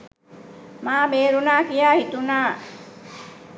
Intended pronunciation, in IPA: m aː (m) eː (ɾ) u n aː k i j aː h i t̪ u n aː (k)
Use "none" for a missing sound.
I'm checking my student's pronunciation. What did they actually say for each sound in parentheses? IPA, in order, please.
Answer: m, ɾ, none

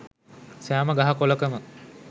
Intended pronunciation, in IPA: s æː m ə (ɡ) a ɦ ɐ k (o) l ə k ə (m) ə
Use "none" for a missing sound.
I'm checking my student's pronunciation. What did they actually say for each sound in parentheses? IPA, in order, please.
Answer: ɡ, o, m

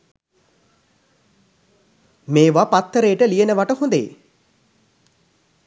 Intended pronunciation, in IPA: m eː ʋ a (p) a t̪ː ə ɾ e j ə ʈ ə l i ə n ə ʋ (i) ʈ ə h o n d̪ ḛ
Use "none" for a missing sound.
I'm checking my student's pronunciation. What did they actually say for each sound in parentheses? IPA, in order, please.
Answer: p, a

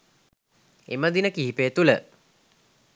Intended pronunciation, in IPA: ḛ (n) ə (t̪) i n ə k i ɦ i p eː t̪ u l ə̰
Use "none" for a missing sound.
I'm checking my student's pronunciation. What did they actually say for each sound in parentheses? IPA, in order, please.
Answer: m, d̪

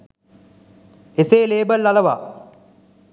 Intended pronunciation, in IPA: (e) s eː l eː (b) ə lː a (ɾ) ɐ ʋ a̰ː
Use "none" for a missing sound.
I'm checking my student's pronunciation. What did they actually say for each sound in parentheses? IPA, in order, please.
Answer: e, b, l

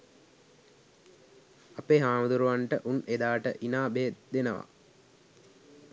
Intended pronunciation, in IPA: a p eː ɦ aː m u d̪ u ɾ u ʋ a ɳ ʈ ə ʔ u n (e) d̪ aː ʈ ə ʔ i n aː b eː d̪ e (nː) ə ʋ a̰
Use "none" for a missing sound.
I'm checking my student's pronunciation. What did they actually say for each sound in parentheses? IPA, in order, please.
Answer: e, n

